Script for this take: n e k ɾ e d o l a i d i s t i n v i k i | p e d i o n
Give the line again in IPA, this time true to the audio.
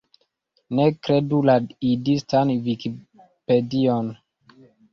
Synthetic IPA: n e k ɾ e d u l a i d i s t a n v i k i | p e d i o n